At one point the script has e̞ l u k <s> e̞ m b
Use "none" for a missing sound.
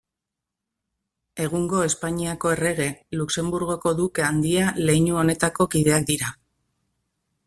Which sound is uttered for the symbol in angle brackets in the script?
s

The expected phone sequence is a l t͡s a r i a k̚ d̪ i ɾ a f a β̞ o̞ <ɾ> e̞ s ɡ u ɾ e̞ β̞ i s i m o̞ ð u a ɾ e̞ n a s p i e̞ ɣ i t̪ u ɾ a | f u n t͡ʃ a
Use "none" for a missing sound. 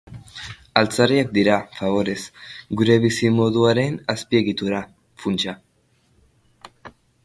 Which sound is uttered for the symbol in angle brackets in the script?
ɾ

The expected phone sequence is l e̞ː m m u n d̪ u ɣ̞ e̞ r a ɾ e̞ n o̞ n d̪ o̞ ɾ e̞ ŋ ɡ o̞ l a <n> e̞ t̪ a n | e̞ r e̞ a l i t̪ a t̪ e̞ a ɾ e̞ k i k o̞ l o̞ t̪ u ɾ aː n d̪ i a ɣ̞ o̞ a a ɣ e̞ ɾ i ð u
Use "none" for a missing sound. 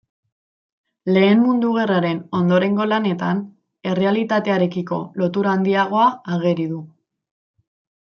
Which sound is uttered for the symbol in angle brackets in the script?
n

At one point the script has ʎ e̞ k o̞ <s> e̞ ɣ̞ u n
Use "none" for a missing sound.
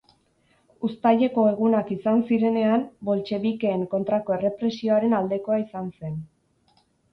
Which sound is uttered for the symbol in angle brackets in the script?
none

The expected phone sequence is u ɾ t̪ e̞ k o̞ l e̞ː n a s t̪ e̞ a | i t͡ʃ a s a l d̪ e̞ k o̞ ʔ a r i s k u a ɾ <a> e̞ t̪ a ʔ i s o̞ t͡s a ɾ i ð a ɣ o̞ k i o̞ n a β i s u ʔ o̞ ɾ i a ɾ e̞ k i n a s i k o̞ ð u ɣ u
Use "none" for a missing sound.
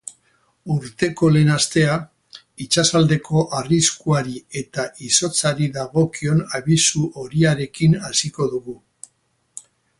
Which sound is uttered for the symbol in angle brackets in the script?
i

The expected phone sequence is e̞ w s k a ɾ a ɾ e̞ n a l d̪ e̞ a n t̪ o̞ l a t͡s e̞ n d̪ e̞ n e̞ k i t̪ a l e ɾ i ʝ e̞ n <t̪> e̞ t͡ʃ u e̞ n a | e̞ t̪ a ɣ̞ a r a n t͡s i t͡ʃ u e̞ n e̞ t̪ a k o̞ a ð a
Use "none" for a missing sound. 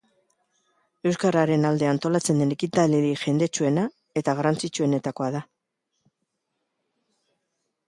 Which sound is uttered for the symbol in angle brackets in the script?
d̪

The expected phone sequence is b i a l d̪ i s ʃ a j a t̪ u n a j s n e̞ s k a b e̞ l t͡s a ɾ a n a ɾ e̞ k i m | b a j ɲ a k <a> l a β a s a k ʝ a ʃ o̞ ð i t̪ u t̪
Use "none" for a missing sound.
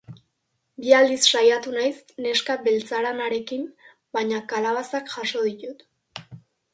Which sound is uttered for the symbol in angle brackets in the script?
a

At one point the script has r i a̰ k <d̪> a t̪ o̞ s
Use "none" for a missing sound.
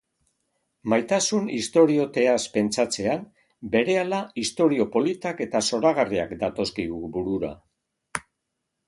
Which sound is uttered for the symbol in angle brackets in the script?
d̪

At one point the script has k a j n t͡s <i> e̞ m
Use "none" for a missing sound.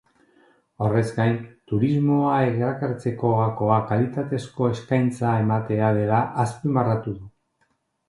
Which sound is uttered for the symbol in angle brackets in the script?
a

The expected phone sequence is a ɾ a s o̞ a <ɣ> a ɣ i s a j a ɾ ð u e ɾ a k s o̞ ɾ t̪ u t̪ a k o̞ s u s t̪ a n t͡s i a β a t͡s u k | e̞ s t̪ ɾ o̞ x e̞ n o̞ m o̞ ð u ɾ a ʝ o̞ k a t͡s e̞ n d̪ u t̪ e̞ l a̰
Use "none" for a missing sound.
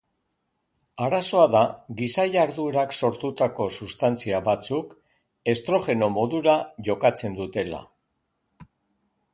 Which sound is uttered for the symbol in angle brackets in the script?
ð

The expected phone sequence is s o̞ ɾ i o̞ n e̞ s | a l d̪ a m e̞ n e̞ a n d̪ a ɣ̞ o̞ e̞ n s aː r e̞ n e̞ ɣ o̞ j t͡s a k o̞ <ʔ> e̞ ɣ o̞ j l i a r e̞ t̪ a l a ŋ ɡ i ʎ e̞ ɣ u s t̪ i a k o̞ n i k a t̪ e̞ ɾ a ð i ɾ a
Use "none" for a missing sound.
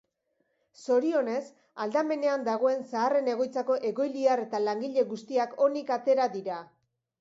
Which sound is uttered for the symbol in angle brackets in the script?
ʔ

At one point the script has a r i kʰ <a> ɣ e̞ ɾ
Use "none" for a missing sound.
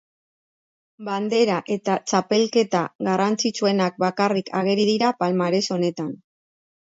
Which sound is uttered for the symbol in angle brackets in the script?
a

